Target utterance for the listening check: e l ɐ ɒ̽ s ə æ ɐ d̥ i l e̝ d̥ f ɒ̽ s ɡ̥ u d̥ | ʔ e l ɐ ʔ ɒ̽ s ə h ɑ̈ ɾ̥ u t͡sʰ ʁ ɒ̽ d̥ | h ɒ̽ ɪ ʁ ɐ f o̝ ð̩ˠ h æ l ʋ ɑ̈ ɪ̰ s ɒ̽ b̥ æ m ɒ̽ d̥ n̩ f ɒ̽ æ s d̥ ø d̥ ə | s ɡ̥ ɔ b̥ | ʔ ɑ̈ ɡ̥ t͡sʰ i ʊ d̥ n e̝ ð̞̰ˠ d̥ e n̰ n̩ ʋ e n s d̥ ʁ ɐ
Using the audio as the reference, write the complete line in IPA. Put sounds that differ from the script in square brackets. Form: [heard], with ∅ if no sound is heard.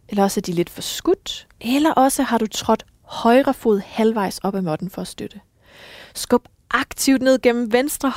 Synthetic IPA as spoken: e l ɐ ɒ̽ s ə æ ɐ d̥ i l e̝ d̥ f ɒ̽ s ɡ̥ u d̥ | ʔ e l ɐ ʔ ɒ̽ s ə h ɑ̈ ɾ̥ u t͡sʰ ʁ ɒ̽ d̥ | h ɒ̽ ɪ ʁ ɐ f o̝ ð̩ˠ h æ l ʋ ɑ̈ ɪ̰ s ɒ̽ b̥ æ m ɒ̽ d̥ n̩ f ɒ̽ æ s d̥ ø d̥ ə | s ɡ̥ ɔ b̥ | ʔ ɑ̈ ɡ̥ t͡sʰ i ʊ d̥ n e̝ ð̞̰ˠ [ɡ̥] e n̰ [m̩] ʋ e n s d̥ ʁ ɐ